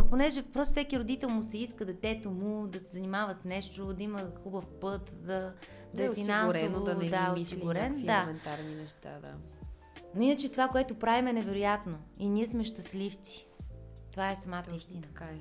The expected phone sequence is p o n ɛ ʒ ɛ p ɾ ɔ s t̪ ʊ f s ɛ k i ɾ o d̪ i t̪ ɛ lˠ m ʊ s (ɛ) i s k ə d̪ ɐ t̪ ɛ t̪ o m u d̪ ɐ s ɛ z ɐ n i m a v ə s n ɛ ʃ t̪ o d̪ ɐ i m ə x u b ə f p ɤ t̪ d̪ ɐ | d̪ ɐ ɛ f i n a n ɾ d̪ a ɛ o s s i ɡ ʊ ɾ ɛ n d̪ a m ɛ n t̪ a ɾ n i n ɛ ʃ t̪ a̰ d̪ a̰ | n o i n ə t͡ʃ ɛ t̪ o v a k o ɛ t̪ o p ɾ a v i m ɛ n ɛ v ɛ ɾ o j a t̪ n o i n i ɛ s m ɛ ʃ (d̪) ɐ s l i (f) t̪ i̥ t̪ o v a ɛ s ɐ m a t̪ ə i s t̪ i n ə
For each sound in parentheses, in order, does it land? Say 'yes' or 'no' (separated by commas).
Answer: yes, no, yes